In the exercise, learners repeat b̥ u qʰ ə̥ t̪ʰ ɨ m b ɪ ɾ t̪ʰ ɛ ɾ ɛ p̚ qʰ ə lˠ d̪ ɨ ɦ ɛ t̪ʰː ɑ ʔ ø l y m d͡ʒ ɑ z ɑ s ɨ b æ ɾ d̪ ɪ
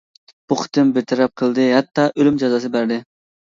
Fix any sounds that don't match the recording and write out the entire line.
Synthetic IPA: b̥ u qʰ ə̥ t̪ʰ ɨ m b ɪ ɾ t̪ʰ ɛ ɾ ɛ p̚ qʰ ə lˠ d̪ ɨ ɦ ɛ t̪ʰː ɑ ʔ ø l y m d͡ʒ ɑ z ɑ s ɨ b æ ɾ d̪ ɪ